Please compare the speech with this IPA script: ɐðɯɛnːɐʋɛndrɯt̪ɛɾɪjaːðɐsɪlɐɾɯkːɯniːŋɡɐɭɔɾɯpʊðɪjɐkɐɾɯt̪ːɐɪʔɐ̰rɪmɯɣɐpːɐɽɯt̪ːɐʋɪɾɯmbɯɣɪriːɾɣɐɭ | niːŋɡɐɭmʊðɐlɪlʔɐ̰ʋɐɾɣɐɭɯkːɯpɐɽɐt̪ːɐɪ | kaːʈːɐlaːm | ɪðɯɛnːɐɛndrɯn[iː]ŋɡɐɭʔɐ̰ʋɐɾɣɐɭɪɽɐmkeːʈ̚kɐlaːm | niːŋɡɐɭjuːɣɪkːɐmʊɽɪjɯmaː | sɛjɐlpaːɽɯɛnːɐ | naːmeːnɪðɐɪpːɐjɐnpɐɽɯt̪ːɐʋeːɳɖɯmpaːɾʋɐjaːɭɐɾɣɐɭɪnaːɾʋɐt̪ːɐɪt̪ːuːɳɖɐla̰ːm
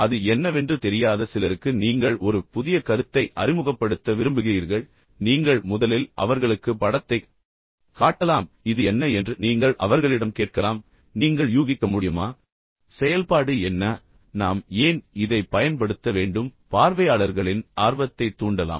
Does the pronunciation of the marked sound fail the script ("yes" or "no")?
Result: no